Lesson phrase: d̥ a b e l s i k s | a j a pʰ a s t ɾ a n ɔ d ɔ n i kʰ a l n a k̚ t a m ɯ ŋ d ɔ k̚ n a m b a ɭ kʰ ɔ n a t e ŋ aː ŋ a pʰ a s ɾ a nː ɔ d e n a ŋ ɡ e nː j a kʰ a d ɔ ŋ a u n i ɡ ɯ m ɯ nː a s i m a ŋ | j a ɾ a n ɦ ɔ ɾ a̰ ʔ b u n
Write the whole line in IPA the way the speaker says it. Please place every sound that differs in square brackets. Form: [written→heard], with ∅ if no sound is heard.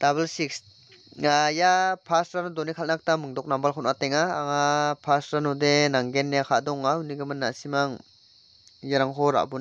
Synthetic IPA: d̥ a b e l s i k s | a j a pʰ a s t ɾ a n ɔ d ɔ n i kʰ a l n a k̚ t a m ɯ ŋ d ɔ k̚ n a m b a [ɭ→l] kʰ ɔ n a t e ŋ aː ŋ a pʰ a s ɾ a [nː→n] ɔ d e n a ŋ ɡ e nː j a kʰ a d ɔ ŋ a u n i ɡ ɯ m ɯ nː a s i m a ŋ | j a ɾ a [n→ŋ] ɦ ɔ ɾ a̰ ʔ b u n

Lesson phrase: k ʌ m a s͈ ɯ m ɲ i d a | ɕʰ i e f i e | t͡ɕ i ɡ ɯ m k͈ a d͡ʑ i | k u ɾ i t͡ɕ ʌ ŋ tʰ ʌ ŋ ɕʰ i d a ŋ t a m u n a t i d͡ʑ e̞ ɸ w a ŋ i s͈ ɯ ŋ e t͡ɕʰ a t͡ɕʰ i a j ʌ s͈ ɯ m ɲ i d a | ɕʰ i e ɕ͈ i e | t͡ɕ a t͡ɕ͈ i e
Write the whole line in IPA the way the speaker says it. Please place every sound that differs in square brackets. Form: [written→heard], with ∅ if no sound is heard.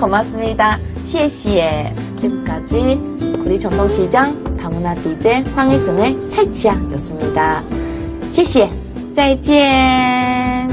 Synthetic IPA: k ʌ m a s͈ ɯ m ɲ i d a | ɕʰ i e [f→ɕ] i e | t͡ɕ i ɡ ɯ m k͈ a d͡ʑ i | k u ɾ i t͡ɕ ʌ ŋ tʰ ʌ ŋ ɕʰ i [d→d͡ʑ] a ŋ t a m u n a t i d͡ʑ e̞ ɸ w a ŋ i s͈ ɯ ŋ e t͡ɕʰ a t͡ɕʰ i a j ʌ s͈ ɯ m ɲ i d a | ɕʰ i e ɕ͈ i e | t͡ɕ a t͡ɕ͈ i e

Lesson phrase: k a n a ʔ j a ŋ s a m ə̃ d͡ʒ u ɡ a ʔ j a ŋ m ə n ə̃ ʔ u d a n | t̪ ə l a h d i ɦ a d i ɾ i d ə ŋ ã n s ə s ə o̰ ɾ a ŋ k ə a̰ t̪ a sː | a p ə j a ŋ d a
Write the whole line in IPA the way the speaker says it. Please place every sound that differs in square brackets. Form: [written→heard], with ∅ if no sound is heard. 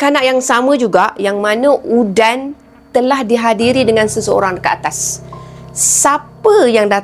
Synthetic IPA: k a n a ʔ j a ŋ s a m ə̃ d͡ʒ u ɡ a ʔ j a ŋ m [ə→a] n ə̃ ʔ u d a n | t̪ ə l a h d i ɦ a d i ɾ i d ə ŋ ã n s ə s ə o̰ ɾ a ŋ k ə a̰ t̪ a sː | a p ə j a ŋ d a

